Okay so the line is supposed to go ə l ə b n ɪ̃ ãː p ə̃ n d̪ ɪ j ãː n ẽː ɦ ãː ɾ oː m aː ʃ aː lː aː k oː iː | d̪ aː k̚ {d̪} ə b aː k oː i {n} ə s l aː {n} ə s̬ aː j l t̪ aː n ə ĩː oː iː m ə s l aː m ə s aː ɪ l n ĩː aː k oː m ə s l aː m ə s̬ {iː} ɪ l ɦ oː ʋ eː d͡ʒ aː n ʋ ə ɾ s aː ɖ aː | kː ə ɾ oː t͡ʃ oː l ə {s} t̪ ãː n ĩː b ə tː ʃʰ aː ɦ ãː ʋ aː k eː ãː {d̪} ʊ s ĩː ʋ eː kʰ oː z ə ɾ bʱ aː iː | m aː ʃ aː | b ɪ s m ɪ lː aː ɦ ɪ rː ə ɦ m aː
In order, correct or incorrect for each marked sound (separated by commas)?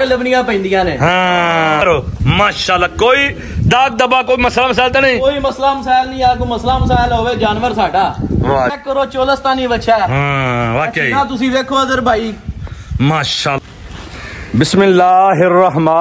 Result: correct, incorrect, incorrect, incorrect, correct, incorrect